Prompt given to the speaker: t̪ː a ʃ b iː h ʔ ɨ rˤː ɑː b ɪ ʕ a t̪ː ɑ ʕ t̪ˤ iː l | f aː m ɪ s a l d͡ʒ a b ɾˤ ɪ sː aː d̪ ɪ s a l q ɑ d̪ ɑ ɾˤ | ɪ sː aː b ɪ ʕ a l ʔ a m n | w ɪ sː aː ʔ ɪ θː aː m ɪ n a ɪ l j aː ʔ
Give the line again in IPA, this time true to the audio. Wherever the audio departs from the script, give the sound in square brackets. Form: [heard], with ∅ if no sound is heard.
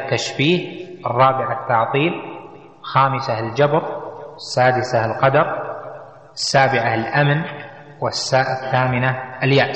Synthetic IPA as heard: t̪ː a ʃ b iː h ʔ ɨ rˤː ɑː b ɪ ʕ a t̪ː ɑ ʕ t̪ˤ iː l | [x] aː m ɪ s a l d͡ʒ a b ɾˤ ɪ sː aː d̪ ɪ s a l q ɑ d̪ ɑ ɾˤ | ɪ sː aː b ɪ ʕ a l ʔ a m n | w ɪ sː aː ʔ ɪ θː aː m ɪ n a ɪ l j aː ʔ